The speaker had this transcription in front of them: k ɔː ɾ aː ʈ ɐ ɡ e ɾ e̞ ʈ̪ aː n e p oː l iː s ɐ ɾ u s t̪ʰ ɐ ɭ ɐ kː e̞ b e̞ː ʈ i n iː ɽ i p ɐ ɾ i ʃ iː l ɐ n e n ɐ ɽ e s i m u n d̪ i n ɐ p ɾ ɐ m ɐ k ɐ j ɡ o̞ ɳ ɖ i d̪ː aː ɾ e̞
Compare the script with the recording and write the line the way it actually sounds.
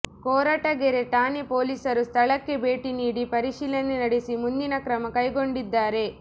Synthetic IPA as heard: k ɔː ɾ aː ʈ ɐ ɡ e ɾ e̞ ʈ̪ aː n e p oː l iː s ɐ ɾ u s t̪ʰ ɐ ɭ ɐ kː e̞ b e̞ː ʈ i n iː ɽ i p ɐ ɾ i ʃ iː l ɐ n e n ɐ ɽ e s i m u n d̪ i n ɐ k ɾ ɐ m ɐ k ɐ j ɡ o̞ ɳ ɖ i d̪ː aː ɾ e̞